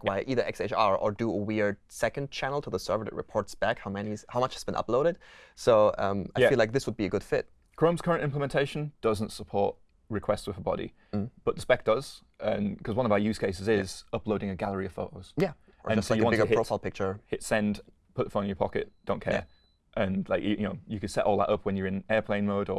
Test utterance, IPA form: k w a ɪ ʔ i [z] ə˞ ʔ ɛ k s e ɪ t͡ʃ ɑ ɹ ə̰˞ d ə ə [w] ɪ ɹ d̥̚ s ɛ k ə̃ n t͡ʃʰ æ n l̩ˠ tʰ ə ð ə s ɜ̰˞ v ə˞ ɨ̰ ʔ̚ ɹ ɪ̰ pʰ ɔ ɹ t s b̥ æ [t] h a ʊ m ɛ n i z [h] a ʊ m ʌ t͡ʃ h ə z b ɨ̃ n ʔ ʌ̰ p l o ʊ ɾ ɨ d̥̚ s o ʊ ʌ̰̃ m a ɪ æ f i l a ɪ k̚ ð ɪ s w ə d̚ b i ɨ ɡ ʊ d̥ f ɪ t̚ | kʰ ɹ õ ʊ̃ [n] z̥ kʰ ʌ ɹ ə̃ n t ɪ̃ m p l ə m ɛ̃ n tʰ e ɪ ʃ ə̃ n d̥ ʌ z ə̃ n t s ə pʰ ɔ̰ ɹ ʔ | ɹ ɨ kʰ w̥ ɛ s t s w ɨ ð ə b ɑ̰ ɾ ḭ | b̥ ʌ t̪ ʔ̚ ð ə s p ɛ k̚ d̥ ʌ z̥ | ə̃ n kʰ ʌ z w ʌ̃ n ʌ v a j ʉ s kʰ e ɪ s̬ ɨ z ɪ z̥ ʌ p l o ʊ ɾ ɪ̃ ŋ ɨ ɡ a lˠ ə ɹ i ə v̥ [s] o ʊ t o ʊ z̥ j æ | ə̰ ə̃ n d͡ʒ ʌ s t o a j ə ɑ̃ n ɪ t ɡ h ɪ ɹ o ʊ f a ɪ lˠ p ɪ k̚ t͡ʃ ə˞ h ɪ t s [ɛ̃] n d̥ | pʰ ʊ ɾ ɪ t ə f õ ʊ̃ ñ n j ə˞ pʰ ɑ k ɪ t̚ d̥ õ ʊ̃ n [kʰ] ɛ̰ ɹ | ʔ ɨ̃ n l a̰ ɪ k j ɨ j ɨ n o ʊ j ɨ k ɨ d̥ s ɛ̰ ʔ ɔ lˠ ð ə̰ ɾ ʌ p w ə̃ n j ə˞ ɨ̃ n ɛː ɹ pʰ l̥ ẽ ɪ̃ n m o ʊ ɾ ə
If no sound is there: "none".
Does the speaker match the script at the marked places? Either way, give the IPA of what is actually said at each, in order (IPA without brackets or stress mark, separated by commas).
ð, w, k, h, m, f, ɛ̃, kʰ